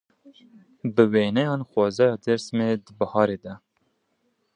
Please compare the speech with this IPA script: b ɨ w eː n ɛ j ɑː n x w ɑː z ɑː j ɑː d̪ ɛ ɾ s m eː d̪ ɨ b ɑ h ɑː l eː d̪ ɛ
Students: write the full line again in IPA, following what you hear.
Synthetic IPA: b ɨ w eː n ɛ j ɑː n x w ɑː z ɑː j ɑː d̪ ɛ ɾ s m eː d̪ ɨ b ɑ h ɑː ɾ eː d̪ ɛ